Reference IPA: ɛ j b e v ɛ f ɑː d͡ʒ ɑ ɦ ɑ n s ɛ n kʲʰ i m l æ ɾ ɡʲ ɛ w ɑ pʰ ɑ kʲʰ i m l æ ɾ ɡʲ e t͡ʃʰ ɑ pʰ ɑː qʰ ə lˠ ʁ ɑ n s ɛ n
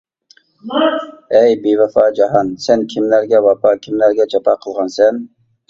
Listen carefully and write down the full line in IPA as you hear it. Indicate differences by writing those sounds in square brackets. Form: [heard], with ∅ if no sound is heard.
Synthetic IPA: ɛ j b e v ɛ f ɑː d͡ʒ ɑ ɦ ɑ n s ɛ n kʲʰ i m l æ ɾ ɡʲ ɛ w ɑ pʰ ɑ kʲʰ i m l æ ɾ ɡʲ [ɛ] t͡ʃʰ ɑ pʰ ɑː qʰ ə lˠ ʁ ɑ n s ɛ n